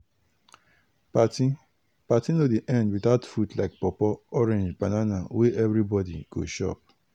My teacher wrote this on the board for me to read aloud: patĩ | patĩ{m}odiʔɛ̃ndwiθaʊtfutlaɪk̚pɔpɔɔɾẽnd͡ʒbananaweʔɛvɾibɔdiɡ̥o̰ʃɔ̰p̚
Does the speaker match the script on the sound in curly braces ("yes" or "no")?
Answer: no